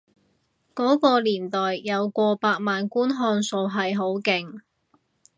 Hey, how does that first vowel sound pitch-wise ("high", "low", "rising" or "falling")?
rising